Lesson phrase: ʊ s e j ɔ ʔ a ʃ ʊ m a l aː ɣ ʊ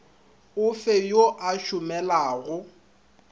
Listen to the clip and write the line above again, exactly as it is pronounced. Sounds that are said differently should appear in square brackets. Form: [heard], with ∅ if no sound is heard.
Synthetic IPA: ʊ [f] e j [o] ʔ a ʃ ʊ m [ɛ] l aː ɣ ʊ